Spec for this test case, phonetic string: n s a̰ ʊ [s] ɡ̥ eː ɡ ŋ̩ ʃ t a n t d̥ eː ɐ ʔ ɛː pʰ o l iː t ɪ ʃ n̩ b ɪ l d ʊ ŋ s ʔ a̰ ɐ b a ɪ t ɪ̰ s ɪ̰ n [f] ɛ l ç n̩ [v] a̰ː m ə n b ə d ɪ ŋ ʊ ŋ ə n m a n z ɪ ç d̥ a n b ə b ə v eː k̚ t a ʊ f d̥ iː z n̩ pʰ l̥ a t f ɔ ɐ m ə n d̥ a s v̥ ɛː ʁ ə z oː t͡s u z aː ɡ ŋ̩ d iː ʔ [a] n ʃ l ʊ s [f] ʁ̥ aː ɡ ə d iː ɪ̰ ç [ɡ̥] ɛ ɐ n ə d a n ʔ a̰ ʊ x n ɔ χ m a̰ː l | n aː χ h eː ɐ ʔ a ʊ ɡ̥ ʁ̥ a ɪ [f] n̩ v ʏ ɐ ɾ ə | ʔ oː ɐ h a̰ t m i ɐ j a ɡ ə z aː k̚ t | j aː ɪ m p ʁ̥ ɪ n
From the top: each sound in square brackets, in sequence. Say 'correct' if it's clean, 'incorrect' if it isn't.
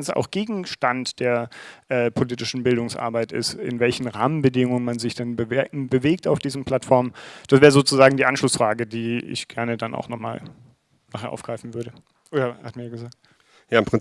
incorrect: x, incorrect: v, incorrect: ʁ, correct, correct, correct, correct

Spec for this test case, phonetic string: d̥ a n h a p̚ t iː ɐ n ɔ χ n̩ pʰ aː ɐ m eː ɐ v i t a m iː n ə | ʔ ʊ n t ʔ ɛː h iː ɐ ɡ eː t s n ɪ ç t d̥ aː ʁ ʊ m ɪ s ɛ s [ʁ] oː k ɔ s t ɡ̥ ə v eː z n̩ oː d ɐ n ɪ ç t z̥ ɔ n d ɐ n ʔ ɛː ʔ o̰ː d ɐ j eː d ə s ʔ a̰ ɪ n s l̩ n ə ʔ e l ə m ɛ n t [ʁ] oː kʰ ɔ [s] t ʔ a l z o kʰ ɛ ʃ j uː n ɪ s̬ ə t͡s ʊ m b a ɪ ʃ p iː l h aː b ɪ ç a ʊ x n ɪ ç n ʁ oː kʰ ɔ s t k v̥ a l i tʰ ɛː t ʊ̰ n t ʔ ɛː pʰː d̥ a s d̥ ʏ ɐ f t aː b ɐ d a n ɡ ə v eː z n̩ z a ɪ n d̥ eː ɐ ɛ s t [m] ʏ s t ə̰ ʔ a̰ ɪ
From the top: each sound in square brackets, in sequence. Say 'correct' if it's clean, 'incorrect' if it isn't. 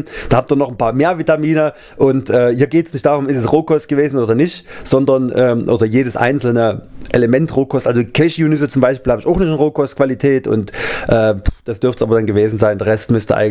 correct, correct, correct, correct

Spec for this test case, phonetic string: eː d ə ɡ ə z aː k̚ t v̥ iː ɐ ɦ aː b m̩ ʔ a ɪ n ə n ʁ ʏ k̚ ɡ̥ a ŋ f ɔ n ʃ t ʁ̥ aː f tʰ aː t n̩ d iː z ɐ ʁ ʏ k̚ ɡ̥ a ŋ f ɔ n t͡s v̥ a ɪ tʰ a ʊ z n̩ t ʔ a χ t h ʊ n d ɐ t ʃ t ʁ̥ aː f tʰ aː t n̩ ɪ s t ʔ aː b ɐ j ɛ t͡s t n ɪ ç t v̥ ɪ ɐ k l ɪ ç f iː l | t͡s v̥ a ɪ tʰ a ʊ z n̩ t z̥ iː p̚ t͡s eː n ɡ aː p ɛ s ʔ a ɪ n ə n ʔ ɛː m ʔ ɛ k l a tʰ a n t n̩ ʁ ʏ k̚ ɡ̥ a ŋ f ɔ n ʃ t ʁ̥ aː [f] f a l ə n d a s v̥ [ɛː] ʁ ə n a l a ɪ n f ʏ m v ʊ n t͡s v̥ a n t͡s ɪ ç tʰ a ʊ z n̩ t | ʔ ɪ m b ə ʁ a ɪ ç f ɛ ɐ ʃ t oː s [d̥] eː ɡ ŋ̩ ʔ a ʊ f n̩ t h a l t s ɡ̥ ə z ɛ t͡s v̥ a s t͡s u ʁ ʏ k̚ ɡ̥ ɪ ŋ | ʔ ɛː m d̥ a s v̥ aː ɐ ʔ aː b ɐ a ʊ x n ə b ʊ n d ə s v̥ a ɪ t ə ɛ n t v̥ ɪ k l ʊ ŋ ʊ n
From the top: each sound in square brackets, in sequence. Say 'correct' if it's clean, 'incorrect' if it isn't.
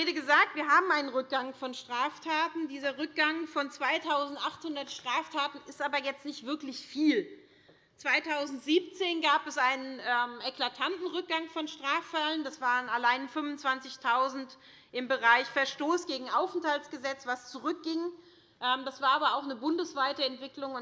correct, incorrect: aː, incorrect: ɡ̥

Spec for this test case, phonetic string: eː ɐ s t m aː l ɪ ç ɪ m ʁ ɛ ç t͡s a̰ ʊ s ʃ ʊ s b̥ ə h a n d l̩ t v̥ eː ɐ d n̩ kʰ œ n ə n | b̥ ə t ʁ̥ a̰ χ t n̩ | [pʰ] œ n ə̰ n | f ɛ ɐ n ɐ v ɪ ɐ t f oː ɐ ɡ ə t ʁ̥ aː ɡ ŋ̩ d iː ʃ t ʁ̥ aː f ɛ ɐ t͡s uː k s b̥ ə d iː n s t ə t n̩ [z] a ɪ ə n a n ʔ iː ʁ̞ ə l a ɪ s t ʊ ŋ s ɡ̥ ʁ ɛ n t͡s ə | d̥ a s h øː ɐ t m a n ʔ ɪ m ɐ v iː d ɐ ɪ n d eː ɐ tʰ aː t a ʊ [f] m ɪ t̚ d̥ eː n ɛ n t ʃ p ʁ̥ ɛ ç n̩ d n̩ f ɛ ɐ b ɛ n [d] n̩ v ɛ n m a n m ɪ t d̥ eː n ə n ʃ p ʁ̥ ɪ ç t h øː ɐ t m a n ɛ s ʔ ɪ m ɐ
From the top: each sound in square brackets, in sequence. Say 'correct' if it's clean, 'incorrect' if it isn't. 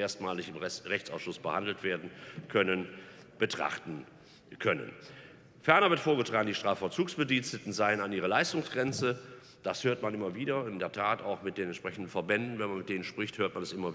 incorrect: kʰ, correct, incorrect: x, correct

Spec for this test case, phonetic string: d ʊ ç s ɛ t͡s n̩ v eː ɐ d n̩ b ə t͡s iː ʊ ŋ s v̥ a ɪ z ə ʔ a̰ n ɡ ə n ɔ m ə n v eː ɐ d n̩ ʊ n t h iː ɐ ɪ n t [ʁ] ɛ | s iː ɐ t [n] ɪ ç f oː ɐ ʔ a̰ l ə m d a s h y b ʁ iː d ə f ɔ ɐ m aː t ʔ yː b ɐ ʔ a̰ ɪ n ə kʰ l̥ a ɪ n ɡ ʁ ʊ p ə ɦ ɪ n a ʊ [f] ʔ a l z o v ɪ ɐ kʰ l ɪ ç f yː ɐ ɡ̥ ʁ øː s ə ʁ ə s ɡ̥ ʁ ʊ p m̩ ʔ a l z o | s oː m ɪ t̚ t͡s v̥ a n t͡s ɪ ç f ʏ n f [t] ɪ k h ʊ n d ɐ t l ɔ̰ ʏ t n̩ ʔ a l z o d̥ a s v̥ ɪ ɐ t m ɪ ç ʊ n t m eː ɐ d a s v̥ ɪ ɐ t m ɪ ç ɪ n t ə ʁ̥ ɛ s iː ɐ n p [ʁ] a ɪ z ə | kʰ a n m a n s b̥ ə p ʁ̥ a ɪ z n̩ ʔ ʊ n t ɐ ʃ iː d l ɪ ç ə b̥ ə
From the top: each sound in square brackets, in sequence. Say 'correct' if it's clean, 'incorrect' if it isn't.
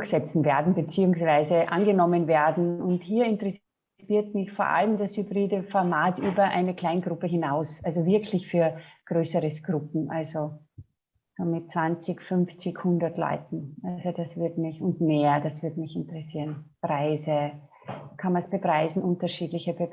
correct, incorrect: m, incorrect: s, incorrect: t͡s, correct

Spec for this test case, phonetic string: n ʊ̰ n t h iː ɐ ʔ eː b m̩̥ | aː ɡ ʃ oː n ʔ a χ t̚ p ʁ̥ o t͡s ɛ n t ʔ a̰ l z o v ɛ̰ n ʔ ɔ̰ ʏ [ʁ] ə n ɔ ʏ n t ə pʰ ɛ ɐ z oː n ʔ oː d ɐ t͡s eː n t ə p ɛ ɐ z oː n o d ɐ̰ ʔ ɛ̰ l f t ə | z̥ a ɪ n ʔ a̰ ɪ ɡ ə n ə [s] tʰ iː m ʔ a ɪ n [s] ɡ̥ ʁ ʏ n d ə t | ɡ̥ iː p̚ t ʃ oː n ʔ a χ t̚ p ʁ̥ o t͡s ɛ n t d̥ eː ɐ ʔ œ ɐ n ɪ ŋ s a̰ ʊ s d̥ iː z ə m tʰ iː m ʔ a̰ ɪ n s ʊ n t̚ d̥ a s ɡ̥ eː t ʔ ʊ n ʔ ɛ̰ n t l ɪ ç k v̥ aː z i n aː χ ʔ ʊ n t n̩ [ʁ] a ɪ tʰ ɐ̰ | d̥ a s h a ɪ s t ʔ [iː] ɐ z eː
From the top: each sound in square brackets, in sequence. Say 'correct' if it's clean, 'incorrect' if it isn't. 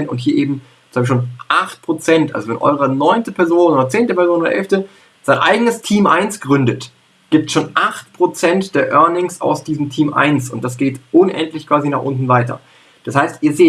correct, correct, correct, incorrect: v, correct

